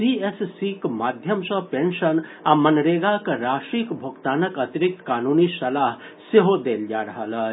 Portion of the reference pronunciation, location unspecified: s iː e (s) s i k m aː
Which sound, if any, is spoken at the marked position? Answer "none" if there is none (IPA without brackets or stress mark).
s